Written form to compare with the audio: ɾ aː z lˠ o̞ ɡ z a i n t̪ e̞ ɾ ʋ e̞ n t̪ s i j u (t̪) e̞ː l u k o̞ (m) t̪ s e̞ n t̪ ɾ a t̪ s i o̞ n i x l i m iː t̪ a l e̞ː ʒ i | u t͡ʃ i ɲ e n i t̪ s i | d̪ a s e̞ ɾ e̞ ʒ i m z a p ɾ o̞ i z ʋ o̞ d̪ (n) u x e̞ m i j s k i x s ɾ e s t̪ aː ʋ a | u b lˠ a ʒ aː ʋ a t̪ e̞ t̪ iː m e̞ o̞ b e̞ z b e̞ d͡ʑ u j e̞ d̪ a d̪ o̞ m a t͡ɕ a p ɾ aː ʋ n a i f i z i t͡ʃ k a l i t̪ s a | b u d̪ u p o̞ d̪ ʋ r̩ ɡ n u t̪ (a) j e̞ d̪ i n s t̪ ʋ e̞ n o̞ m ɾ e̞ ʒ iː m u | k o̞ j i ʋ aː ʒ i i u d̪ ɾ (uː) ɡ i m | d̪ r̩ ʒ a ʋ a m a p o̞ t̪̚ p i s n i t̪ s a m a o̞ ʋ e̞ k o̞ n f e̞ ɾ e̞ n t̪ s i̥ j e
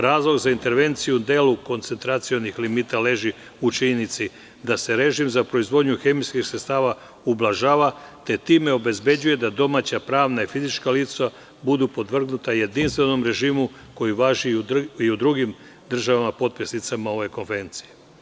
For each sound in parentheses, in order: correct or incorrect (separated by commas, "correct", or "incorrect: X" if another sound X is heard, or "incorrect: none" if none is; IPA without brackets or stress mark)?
incorrect: d̪, incorrect: n, incorrect: ɲ, correct, incorrect: u